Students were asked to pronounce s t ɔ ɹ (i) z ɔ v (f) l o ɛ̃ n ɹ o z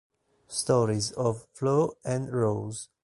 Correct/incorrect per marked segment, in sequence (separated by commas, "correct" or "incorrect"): correct, correct